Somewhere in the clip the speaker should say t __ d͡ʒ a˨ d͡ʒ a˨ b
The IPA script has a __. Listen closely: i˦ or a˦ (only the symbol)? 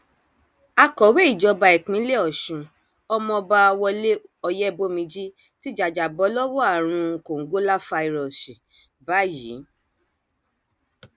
i˦